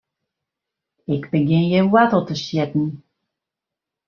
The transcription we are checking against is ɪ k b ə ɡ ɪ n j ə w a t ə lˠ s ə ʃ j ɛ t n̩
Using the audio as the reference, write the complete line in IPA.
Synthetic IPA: ɪ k b ə ɡ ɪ n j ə w a t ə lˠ t ə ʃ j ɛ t n̩